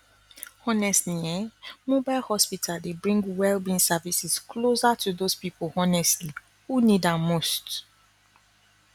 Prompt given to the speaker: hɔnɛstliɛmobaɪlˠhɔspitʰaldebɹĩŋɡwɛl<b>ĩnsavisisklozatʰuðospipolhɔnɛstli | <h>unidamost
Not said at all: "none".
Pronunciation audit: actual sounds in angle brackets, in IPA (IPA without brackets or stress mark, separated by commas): b, h